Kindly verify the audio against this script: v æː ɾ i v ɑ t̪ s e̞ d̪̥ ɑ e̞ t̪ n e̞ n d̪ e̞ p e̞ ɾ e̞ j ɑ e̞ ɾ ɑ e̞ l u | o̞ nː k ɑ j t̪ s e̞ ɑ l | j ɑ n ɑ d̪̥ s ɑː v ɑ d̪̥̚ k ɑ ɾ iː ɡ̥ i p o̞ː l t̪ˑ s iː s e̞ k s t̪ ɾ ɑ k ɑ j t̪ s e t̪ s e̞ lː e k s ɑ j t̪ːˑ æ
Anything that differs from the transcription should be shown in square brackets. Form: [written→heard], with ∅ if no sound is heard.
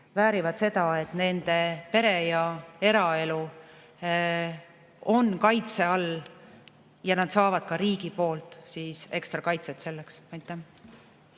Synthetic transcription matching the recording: v æː ɾ i v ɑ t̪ s e̞ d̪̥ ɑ e̞ t̪ n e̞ n d̪ e̞ p e̞ ɾ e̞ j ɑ e̞ ɾ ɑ e̞ l u | o̞ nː k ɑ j t̪ s e̞ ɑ l | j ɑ n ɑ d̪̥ s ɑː v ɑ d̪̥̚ k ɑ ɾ iː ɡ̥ i p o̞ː l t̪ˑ s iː s e̞ k s t̪ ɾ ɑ k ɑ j t̪ s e t̪ s e̞ lː e k s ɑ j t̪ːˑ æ